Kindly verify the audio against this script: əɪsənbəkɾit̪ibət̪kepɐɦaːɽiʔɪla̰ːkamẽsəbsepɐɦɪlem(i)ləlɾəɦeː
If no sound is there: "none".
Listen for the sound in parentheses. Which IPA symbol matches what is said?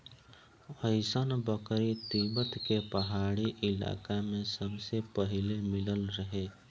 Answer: ɪ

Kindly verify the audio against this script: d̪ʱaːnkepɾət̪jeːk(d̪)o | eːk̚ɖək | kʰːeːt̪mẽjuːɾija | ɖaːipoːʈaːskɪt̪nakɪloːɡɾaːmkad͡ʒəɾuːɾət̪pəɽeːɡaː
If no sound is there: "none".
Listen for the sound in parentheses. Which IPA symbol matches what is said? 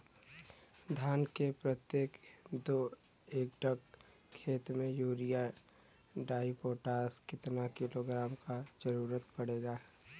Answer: d̪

